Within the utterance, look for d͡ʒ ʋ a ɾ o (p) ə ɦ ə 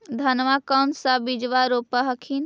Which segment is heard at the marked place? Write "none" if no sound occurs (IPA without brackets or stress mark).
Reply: p